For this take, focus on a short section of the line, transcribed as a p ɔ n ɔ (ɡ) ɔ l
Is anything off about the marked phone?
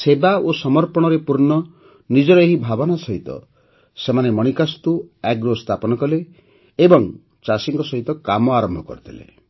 yes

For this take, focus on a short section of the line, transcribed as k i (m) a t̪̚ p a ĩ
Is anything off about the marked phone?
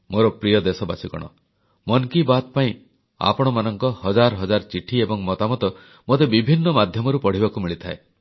yes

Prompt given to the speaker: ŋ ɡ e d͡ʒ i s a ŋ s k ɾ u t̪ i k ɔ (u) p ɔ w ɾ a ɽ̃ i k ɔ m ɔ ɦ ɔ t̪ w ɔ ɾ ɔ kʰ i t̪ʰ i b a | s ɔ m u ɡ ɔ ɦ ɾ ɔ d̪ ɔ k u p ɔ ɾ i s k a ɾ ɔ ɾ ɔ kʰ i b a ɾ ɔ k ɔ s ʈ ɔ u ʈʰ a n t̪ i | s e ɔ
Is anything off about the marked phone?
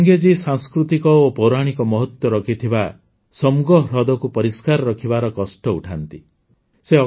yes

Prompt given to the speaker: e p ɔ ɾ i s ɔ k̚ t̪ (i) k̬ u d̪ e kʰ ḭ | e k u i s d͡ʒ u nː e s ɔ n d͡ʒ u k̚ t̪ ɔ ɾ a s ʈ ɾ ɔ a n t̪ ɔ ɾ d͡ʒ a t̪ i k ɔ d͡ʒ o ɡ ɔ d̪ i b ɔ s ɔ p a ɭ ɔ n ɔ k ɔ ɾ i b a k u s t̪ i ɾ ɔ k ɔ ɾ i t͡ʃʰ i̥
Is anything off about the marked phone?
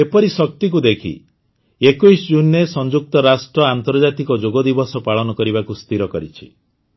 no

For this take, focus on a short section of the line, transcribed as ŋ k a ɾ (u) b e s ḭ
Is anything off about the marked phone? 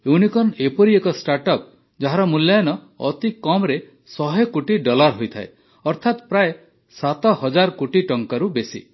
no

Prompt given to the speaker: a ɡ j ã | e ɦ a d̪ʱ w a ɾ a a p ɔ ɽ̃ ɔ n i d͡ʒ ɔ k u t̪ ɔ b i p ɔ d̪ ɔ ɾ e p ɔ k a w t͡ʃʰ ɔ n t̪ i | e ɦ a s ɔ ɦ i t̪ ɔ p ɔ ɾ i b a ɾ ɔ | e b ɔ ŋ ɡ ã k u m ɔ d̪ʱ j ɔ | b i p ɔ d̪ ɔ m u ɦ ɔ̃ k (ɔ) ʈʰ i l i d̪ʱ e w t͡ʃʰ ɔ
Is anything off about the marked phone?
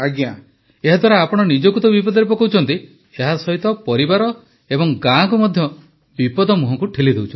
yes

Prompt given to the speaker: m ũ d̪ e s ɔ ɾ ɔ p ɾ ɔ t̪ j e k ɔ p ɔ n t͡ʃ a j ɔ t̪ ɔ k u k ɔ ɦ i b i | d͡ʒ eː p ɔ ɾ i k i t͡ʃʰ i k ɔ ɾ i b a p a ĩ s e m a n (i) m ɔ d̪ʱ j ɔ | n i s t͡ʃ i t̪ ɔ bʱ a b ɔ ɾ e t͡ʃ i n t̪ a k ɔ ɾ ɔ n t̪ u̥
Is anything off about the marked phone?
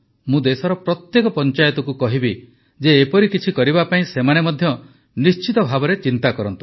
yes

